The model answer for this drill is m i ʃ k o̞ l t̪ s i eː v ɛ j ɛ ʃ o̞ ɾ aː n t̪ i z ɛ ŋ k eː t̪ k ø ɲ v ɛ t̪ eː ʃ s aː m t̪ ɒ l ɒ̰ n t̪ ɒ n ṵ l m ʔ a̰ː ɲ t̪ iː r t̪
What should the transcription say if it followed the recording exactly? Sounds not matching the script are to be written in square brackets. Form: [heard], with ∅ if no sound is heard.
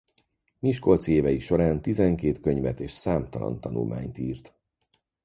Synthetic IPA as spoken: m i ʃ k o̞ l t̪ s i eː v ɛ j [i] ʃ o̞ ɾ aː n t̪ i z ɛ ŋ k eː t̪ k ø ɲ v ɛ t̪ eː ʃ s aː m t̪ ɒ l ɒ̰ n t̪ ɒ n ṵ l m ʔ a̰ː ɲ t̪ iː r t̪